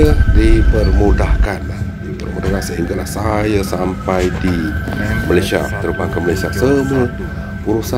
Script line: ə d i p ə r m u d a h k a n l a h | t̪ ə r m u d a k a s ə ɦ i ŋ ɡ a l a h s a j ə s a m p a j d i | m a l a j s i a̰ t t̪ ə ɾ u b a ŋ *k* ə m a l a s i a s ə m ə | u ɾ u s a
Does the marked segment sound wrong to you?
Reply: no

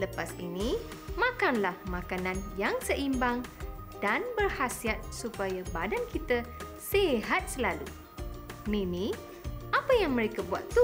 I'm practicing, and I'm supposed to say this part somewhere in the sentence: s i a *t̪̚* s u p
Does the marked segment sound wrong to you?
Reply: no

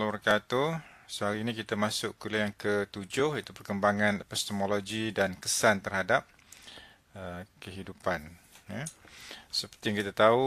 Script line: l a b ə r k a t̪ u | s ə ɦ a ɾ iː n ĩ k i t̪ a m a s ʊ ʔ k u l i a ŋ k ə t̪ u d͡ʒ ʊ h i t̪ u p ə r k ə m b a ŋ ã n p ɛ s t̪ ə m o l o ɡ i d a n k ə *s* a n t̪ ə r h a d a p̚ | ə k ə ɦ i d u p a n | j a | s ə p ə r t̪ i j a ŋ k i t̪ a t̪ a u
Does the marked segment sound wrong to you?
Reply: no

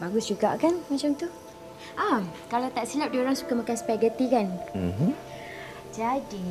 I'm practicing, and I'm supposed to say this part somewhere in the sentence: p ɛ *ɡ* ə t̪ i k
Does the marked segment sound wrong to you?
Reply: no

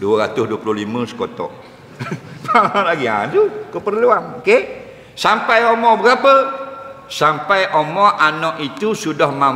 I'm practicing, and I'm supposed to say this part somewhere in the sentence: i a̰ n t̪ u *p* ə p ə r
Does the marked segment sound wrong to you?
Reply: yes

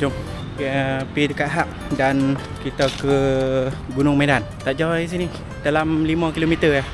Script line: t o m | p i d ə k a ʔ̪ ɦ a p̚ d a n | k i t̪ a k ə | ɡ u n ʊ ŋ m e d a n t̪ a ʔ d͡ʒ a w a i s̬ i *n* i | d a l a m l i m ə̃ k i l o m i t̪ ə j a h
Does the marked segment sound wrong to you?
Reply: no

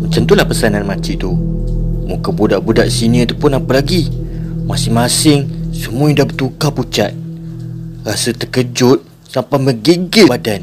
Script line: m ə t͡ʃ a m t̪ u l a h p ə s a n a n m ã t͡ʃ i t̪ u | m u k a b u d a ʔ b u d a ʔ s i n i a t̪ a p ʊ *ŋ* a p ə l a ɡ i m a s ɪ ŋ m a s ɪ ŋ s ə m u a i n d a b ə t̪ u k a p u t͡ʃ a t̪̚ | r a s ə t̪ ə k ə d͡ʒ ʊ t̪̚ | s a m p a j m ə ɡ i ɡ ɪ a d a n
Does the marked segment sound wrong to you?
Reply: yes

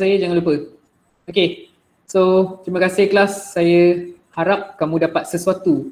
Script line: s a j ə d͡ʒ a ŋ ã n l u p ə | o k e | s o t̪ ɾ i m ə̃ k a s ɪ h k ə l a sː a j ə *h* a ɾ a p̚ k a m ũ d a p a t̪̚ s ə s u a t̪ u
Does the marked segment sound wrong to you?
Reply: no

